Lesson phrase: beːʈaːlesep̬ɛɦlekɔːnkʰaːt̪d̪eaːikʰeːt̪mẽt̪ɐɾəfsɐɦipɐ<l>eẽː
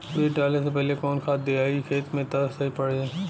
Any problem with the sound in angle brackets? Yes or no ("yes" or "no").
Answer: yes